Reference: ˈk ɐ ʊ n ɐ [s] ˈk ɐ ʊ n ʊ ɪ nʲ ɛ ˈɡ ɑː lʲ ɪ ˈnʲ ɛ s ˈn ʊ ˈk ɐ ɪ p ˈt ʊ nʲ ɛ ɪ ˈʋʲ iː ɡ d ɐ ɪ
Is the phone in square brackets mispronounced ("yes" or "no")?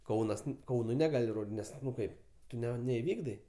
no